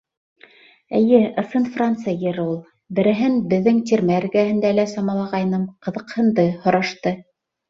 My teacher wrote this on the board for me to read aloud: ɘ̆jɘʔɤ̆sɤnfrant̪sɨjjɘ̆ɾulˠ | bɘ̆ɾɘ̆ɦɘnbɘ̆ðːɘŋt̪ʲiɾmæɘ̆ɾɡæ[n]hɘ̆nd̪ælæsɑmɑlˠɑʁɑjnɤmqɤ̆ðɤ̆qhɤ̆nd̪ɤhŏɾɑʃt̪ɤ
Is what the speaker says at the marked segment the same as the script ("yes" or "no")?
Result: no